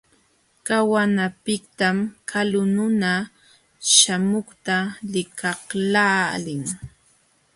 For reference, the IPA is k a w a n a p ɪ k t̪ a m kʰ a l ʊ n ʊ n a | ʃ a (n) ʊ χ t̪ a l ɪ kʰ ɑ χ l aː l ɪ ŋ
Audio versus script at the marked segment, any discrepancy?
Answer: yes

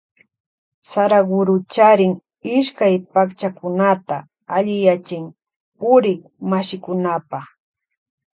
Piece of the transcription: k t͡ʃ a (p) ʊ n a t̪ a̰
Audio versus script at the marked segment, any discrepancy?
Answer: yes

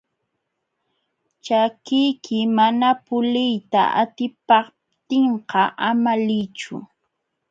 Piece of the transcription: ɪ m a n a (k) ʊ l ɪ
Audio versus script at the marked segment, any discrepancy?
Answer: yes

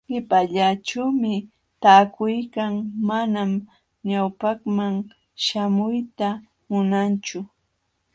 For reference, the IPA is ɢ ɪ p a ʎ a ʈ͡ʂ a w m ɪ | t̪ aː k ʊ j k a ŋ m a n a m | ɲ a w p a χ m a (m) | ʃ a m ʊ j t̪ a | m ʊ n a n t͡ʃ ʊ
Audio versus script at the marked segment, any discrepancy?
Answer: yes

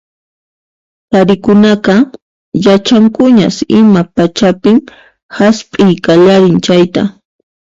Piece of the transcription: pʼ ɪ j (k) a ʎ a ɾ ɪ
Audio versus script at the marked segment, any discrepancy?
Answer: no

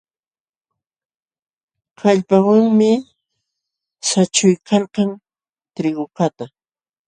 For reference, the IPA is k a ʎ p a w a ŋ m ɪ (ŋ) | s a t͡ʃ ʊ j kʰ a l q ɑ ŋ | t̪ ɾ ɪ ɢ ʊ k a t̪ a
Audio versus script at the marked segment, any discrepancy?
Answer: yes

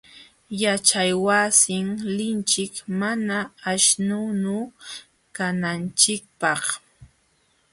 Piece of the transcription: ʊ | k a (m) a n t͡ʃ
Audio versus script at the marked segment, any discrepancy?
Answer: yes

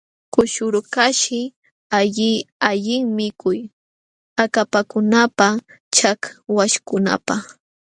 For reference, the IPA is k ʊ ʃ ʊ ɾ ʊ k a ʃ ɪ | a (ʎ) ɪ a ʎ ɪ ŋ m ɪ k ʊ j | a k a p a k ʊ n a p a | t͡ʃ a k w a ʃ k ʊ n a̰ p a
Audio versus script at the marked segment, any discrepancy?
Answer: no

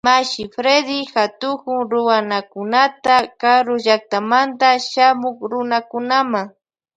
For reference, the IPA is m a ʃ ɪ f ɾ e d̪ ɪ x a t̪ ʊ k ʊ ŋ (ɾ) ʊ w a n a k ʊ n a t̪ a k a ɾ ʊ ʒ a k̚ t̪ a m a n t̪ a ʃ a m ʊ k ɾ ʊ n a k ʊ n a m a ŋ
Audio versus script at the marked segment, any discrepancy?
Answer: no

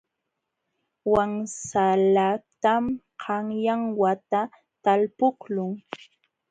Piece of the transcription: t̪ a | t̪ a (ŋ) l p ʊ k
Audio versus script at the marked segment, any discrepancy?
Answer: yes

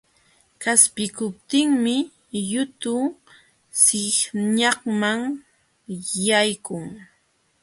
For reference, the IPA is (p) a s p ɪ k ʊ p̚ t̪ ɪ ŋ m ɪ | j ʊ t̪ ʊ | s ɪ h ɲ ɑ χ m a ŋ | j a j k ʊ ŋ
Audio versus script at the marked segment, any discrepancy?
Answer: yes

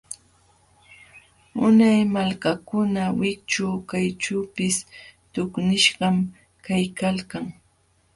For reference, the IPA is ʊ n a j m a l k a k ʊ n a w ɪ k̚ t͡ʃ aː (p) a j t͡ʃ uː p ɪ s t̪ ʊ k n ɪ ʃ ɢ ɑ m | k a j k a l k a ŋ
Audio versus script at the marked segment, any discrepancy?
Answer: yes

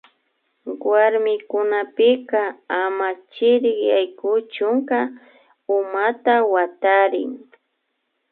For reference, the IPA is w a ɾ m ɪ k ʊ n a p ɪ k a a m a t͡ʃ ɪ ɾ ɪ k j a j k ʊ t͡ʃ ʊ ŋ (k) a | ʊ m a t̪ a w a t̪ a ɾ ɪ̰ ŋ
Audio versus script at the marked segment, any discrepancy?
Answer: no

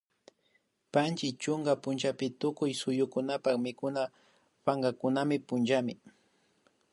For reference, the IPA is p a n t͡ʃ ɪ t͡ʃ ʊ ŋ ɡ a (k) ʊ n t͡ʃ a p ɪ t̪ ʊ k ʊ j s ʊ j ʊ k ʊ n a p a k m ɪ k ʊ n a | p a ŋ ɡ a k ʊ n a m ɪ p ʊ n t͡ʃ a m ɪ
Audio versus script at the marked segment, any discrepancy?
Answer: yes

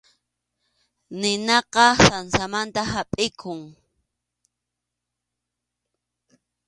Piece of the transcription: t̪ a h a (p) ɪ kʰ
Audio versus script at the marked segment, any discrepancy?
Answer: yes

